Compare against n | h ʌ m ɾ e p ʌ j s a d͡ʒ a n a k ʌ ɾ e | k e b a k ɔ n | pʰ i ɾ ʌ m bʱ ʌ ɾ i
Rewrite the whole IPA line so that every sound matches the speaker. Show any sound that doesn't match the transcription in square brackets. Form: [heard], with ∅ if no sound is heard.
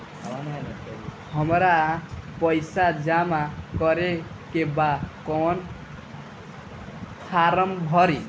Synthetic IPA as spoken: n | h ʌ m ɾ [a] p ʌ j s a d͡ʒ a [m] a k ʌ ɾ e | k e b a k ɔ n | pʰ [a] ɾ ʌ m bʱ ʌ ɾ i